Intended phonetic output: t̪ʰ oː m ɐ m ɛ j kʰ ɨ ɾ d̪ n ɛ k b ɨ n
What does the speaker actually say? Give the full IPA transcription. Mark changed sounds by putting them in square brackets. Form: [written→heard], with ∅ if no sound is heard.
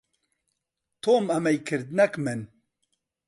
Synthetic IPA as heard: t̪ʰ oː m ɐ m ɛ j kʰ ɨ ɾ d̪ n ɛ k [b→m] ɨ n